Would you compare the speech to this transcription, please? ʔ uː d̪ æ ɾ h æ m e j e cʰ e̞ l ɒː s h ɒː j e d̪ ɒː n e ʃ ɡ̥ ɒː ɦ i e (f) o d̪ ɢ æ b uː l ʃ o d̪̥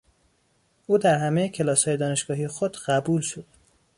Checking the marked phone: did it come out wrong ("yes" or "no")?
yes